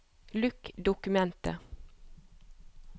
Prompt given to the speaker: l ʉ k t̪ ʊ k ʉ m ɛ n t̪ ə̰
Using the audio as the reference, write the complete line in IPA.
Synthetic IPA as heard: l ʉ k d̪ ʊ k ʉ m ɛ n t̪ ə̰